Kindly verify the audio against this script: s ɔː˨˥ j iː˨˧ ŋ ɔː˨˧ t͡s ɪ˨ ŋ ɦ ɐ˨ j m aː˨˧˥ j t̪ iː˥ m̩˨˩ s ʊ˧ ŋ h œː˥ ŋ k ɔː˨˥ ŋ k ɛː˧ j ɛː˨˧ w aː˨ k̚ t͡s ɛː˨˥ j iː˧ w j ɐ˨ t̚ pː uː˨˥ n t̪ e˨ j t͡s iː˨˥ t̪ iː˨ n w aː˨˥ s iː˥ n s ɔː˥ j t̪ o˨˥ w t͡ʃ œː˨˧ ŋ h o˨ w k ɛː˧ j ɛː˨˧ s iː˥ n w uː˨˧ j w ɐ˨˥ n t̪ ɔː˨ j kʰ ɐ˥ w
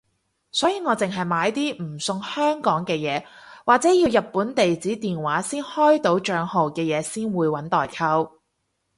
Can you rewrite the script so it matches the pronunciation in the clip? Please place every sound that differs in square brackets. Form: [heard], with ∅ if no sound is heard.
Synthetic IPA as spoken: s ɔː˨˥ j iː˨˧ ŋ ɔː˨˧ t͡s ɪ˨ ŋ ɦ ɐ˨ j m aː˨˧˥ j t̪ iː˥ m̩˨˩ s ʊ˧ ŋ h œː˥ ŋ k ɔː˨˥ ŋ k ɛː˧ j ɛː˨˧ w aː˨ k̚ t͡s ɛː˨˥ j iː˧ w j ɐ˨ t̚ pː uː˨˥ n t̪ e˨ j t͡s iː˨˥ t̪ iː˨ n w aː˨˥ s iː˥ n [h] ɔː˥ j t̪ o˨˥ w t͡ʃ œː˨˧ ŋ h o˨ w k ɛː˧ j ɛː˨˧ s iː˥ n w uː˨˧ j w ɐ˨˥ n t̪ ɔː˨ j kʰ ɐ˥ w